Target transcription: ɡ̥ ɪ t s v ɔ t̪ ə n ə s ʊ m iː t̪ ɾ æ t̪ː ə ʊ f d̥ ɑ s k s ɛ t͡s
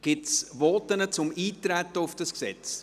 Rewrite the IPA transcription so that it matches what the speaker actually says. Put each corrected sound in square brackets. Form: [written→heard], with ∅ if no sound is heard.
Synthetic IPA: ɡ̥ ɪ t s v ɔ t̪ ə n ə [s→t͡s] ʊ m iː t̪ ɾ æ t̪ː ə ʊ f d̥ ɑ s k s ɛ t͡s